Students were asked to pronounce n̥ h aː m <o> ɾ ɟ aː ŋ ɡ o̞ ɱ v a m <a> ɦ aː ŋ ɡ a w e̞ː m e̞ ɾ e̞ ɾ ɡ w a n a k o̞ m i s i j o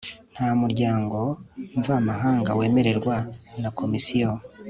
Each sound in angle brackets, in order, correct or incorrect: incorrect: u, correct

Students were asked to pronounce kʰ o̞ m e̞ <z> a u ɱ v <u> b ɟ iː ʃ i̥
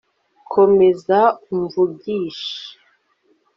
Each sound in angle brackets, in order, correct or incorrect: correct, correct

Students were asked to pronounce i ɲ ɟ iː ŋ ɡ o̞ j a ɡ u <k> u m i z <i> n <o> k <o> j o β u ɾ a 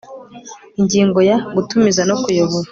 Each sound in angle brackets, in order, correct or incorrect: incorrect: t, incorrect: a, correct, incorrect: u

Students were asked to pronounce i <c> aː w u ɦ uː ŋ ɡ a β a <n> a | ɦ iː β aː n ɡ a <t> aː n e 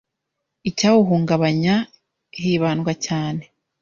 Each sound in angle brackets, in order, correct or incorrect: correct, incorrect: ɲ, incorrect: c

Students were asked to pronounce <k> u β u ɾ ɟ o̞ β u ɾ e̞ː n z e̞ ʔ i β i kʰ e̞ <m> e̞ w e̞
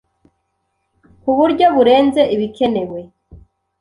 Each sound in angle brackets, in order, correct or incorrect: correct, incorrect: n

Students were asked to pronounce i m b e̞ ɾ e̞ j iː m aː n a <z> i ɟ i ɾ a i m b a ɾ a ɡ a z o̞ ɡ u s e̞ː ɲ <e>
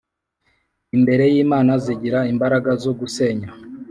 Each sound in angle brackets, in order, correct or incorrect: correct, incorrect: a

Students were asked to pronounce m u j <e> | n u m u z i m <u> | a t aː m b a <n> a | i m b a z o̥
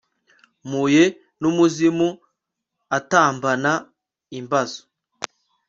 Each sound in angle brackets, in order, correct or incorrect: correct, correct, correct

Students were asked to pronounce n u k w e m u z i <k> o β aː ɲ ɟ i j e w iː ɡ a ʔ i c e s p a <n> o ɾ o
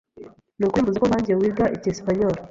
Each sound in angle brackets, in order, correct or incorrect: correct, incorrect: ɲ

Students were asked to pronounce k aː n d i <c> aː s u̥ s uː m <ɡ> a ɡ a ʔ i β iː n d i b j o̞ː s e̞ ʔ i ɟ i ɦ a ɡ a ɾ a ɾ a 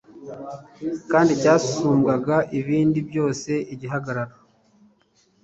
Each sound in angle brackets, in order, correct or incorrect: correct, correct

